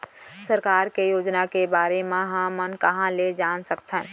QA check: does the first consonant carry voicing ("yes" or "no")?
no